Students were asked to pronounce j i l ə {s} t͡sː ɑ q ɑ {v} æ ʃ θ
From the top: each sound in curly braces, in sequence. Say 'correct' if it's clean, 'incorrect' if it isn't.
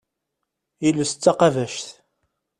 correct, correct

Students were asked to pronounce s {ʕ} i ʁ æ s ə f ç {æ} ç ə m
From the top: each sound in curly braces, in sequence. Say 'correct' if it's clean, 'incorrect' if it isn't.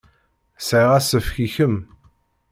correct, incorrect

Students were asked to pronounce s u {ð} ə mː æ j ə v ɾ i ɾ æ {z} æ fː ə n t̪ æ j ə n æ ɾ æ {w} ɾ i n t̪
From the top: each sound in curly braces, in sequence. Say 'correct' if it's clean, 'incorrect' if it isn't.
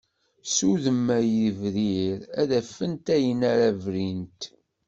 correct, incorrect, incorrect

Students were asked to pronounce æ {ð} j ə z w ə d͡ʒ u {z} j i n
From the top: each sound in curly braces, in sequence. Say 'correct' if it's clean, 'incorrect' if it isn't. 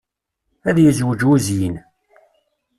correct, correct

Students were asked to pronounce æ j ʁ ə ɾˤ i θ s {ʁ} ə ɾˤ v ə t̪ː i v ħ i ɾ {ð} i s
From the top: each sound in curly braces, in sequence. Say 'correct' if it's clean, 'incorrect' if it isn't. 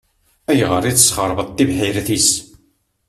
incorrect, incorrect

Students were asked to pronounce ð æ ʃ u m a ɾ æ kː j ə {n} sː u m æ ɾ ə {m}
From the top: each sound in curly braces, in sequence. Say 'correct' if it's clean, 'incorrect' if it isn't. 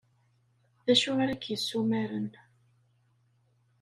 incorrect, incorrect

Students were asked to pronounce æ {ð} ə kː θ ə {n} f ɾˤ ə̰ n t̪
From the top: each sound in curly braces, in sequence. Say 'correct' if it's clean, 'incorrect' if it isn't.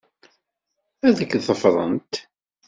correct, incorrect

